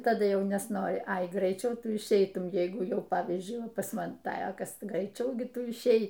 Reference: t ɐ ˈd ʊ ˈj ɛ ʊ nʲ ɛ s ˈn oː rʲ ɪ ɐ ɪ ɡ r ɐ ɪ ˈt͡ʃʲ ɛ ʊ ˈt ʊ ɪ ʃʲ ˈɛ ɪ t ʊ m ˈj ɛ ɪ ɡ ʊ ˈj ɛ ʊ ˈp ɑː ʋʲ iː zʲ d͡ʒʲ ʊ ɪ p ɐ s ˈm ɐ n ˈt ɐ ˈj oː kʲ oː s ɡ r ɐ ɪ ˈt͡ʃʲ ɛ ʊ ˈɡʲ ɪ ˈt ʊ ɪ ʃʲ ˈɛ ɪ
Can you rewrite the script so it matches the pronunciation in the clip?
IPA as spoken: t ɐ ˈd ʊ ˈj ɛ ʊ nʲ ɛ s ˈn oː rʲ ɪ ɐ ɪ ɡ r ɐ ɪ ˈt͡ʃʲ ɛ ʊ ˈt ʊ ɪ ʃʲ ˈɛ ɪ t ʊ m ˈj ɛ ɪ ɡ ʊ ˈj ɛ ʊ ˈp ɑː ʋʲ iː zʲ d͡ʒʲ ʊ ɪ p ɐ s ˈm ɐ n ˈt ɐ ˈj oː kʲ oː s ɡ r ɐ ɪ ˈt͡ʃʲ ɛ ʊ ˈɡʲ ɪ ˈt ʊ ɪ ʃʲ ˈɛ ɪ